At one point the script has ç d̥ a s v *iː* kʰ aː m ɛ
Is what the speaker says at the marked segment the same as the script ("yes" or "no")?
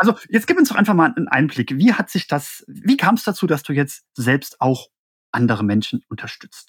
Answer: yes